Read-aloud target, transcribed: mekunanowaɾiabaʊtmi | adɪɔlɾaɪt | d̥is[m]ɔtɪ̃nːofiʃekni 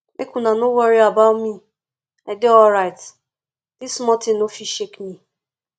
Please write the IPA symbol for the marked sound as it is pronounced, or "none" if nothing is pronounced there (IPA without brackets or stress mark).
m